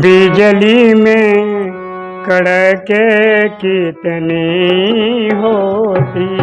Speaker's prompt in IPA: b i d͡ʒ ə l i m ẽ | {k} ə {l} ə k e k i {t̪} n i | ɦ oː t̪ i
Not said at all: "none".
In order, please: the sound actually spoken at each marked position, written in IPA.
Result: k, ɽ, t̪

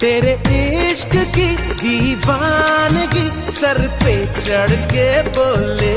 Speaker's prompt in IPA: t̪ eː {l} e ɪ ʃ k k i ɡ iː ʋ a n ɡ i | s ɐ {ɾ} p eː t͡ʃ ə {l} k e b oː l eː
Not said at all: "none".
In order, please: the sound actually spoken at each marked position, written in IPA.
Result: ɾ, ɾ, ɽ

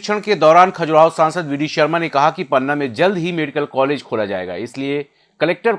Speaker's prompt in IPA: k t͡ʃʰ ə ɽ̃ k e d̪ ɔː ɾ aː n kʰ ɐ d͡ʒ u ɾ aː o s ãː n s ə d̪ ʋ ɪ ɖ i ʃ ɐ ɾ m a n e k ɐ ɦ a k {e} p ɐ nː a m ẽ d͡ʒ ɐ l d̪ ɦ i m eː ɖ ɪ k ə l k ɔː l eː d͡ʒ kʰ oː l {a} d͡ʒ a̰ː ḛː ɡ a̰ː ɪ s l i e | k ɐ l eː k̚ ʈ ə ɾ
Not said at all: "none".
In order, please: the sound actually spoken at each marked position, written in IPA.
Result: i, a

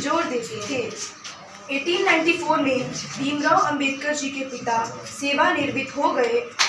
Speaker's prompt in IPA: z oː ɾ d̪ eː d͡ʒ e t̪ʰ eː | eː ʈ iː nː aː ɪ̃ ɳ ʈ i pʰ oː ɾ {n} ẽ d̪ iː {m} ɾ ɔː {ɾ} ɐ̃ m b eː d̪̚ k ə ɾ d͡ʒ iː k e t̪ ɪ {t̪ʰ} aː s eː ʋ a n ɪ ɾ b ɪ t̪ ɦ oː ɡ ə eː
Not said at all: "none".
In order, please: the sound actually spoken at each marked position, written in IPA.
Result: m, m, none, t̪

